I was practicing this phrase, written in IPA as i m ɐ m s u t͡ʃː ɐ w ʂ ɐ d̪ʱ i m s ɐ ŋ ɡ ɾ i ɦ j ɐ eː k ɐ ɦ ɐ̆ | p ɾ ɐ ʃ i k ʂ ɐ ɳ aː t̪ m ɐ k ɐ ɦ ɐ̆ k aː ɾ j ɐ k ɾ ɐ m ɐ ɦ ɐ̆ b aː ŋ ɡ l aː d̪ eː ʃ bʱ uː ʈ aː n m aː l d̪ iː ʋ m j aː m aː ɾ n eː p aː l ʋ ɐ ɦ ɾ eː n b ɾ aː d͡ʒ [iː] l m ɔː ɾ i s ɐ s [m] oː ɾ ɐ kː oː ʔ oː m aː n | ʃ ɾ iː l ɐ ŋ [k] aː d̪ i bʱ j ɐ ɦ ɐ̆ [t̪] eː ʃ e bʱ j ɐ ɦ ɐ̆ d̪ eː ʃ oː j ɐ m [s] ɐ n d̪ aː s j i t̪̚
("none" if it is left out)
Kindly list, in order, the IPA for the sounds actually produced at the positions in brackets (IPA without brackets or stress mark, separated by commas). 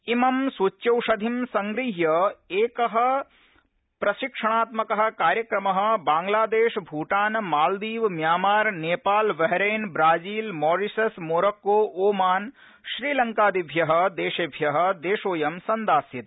iː, m, k, d̪, s